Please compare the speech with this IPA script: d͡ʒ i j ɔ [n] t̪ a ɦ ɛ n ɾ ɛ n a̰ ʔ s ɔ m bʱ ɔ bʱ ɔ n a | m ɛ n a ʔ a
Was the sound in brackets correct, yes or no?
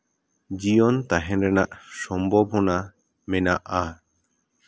yes